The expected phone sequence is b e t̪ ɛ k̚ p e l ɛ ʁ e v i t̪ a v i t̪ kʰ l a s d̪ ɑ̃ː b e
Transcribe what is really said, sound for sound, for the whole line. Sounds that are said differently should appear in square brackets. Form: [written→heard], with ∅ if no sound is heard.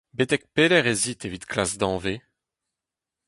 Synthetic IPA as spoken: b e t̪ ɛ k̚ p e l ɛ ʁ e [v→z] i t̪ [a→e] v i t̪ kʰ l a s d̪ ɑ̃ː [b→v] e